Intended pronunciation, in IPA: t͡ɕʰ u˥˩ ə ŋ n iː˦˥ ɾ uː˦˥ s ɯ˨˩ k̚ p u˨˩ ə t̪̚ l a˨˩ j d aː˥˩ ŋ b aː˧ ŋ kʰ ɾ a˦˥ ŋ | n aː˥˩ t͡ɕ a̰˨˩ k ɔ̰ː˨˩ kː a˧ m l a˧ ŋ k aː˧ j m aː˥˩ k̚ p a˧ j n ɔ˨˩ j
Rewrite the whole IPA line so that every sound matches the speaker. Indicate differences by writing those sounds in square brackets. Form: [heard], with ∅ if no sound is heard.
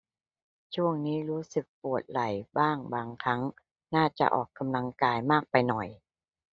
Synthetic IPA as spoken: t͡ɕʰ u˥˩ ə ŋ n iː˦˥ ɾ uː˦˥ s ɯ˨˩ k̚ p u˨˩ ə t̪̚ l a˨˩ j [b] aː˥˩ ŋ b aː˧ ŋ kʰ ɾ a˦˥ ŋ | n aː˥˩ t͡ɕ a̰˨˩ [ʔ] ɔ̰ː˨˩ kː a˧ m l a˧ ŋ k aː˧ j m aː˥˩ k̚ p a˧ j n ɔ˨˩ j